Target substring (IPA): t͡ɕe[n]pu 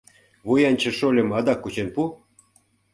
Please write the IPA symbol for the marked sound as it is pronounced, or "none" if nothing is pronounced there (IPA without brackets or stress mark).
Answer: n